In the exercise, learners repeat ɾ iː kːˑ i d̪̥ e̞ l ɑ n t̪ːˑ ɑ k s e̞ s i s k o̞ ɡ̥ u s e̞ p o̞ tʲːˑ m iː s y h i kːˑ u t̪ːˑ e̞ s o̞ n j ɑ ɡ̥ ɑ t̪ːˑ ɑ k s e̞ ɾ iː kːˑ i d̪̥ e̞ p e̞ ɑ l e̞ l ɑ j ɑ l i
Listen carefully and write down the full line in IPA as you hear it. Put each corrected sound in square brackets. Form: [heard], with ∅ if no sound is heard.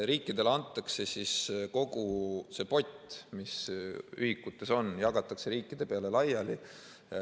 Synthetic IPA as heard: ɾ iː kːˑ i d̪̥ e̞ l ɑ n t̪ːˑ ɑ k s e̞ s i s k o̞ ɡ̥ u s e̞ p o̞ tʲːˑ m [i] s y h i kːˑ u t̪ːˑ e̞ s o̞ n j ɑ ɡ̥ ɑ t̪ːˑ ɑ k s e̞ ɾ iː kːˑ i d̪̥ e̞ p e̞ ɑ l e̞ l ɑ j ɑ l i